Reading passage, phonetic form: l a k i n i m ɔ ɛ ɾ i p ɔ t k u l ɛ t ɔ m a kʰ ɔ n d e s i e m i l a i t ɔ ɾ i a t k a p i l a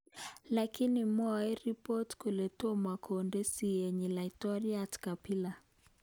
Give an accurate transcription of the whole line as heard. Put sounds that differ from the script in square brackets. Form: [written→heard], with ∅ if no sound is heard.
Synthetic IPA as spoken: l a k i n i m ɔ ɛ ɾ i p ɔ t k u l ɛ t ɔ m a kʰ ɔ n d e s i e [m→ɲ] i l a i t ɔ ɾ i a t k a p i l a